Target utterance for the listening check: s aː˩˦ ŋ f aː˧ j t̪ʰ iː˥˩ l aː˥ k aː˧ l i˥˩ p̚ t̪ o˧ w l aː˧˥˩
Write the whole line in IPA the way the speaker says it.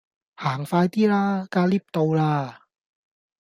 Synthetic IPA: h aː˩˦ ŋ f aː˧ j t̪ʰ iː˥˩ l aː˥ k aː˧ l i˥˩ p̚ t̪ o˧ w l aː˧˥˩